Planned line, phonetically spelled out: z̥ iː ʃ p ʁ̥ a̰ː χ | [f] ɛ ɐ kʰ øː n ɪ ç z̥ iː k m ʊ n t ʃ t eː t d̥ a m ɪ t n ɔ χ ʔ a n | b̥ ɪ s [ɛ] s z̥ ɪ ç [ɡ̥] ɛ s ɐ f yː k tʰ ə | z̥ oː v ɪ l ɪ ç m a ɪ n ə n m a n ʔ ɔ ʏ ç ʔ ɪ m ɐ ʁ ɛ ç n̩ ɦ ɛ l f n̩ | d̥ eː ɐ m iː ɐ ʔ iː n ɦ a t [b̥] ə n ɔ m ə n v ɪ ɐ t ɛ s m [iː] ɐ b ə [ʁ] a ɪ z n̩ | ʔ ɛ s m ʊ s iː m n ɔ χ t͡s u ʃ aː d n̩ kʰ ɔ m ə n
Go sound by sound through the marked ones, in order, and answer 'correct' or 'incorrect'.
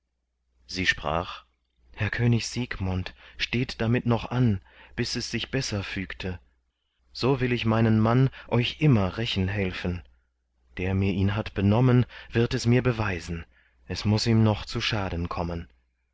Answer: incorrect, correct, incorrect, correct, correct, incorrect

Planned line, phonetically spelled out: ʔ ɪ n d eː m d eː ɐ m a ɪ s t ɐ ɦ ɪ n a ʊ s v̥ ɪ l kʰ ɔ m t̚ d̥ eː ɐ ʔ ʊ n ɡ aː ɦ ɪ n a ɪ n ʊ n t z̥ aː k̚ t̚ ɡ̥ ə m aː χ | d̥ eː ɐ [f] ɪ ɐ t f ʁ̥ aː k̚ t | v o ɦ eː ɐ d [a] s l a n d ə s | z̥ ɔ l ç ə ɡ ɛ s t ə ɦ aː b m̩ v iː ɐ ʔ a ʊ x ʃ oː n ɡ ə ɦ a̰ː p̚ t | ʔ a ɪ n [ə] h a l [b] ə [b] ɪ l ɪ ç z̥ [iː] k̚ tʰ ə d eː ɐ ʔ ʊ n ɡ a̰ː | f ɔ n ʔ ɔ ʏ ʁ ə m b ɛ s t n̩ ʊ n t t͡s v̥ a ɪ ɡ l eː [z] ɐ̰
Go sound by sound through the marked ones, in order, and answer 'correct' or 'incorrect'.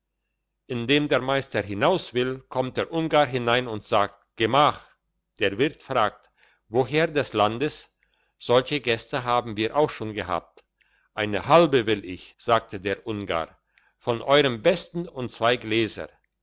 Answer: incorrect, incorrect, correct, correct, incorrect, incorrect, correct

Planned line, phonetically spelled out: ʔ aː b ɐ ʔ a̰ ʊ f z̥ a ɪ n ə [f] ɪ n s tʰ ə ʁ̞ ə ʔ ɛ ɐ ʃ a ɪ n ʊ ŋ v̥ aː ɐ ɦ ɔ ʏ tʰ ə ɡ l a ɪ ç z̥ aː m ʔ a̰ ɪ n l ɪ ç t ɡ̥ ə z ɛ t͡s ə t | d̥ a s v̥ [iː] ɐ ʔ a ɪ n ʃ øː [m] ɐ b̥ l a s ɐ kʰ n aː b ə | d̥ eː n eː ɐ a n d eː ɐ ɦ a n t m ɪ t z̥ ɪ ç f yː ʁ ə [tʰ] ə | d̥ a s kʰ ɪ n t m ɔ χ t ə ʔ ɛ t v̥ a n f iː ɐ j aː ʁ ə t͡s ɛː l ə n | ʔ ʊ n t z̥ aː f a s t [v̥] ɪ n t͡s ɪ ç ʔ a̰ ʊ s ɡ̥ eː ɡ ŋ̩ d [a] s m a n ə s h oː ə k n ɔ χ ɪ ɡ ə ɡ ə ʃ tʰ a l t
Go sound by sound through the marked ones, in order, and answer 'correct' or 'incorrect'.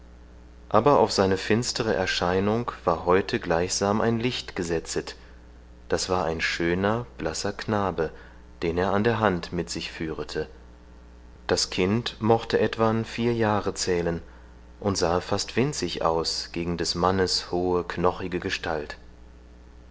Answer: correct, incorrect, incorrect, correct, correct, incorrect

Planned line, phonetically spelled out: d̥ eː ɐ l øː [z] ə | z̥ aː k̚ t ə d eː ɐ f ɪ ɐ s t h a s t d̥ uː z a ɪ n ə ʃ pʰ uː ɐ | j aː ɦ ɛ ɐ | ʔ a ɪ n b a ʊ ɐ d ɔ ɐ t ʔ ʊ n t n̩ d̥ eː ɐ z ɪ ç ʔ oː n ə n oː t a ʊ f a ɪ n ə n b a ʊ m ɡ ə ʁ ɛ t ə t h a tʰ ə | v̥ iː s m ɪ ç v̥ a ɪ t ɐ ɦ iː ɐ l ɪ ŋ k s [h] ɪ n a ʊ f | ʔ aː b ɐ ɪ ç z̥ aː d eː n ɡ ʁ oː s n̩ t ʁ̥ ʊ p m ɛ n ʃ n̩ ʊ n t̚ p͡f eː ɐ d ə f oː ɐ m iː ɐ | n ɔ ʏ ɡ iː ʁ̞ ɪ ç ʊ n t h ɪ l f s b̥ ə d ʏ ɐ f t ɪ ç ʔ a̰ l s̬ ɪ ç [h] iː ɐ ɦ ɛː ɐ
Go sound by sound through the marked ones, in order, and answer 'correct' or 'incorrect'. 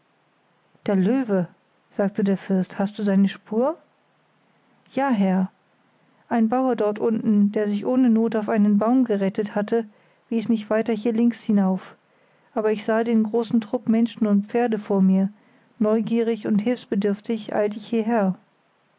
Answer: incorrect, correct, correct

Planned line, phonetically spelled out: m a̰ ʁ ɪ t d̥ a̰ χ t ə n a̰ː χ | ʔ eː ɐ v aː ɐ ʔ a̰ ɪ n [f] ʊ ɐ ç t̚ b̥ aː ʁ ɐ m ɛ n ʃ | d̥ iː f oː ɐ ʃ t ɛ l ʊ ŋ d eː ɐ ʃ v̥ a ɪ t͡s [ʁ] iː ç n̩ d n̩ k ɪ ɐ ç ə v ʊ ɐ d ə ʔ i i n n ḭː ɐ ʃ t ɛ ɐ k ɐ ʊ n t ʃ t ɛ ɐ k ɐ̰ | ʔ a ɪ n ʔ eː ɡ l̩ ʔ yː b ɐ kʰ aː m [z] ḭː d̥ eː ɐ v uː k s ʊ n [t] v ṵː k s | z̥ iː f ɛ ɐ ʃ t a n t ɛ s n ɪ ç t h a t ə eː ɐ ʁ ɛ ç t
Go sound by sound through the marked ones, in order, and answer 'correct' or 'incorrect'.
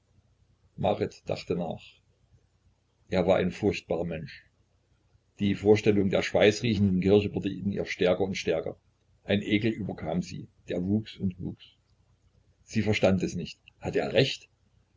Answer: correct, correct, correct, correct

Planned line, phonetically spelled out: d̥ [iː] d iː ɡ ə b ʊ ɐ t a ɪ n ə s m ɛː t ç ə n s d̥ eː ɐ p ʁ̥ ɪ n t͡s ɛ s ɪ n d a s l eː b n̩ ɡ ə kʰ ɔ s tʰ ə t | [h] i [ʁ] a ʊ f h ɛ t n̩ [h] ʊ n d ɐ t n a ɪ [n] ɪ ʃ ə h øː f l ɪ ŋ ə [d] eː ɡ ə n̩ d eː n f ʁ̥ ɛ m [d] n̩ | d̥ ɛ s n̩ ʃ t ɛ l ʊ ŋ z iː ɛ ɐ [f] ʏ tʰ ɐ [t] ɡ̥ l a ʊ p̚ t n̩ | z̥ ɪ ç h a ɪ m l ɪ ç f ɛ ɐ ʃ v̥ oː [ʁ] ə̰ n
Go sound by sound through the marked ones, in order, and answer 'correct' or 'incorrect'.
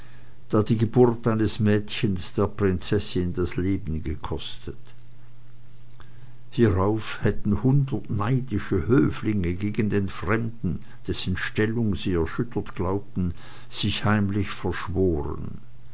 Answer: incorrect, correct, correct, correct, incorrect, incorrect, correct, incorrect, correct, correct

